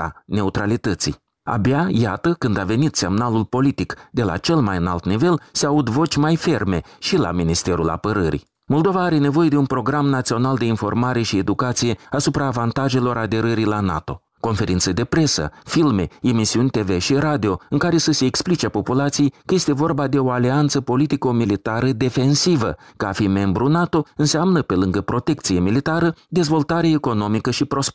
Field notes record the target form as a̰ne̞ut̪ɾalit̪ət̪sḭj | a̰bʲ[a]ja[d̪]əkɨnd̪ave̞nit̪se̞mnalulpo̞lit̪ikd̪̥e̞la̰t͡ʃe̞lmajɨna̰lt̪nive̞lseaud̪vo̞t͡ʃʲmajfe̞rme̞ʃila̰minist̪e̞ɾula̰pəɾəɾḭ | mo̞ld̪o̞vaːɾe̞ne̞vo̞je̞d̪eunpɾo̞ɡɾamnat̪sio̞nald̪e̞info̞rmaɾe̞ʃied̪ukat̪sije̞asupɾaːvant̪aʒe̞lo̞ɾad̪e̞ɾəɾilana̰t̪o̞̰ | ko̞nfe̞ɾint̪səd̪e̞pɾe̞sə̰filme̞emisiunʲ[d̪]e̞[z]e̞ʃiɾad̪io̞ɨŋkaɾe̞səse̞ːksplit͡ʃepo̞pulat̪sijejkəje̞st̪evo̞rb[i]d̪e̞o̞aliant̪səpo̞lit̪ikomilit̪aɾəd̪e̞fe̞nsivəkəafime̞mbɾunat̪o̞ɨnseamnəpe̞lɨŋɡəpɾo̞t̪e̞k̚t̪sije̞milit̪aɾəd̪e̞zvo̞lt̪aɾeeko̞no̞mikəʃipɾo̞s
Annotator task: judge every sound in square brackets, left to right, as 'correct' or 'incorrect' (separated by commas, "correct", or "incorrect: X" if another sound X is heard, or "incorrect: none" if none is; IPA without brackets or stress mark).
correct, incorrect: t̪, incorrect: t̪, incorrect: v, incorrect: a